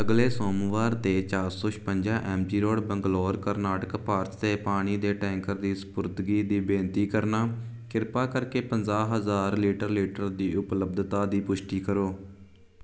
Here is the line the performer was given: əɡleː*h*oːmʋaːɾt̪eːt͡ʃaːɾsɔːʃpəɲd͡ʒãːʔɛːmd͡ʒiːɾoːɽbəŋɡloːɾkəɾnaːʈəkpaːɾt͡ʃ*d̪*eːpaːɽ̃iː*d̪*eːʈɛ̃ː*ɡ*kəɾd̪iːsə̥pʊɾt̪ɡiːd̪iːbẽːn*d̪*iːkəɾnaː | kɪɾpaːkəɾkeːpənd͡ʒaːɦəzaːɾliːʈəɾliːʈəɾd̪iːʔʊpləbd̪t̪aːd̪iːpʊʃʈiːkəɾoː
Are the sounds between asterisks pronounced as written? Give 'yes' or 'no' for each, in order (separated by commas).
no, no, yes, no, no